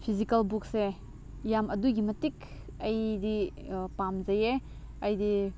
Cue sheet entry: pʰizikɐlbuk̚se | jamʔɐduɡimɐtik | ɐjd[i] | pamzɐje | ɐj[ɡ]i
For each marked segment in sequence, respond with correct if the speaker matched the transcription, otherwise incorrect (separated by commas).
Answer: correct, incorrect